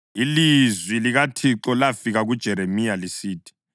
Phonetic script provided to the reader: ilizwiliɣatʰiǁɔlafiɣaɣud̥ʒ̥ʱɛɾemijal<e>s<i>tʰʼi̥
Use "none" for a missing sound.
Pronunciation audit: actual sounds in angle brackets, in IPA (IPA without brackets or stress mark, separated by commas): i, iː